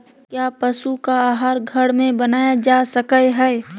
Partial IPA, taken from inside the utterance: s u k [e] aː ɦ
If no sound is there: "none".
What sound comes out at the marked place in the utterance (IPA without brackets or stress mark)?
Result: a